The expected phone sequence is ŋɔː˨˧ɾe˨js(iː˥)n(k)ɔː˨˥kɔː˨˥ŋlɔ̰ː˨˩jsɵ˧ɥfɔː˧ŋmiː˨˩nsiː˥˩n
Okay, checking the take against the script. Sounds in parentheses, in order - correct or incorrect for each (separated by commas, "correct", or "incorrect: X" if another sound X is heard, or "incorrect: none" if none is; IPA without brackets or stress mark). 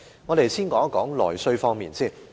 correct, correct